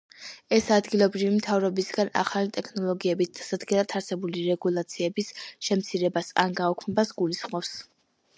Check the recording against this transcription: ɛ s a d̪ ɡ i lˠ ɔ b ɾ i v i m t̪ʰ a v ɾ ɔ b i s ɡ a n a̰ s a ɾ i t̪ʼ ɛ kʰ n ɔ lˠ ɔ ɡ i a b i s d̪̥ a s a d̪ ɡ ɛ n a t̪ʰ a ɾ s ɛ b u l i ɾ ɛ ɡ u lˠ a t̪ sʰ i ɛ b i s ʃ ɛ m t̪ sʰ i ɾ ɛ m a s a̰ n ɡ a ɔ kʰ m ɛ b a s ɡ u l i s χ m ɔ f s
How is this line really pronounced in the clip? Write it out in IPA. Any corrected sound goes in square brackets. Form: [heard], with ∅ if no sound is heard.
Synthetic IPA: ɛ s a d̪ ɡ i lˠ ɔ b ɾ i v i m t̪ʰ a v ɾ ɔ b i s ɡ a n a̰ [χ] a [l] i t̪ʼ ɛ kʰ n ɔ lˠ ɔ ɡ i [ɛ] b i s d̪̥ a s a d̪ ɡ ɛ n a t̪ʰ a ɾ s ɛ b u l i ɾ ɛ ɡ u lˠ a t̪ sʰ i ɛ b i s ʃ ɛ m t̪ sʰ i ɾ ɛ [b] a s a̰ n ɡ a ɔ kʰ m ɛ b a s ɡ u l i s χ m ɔ f s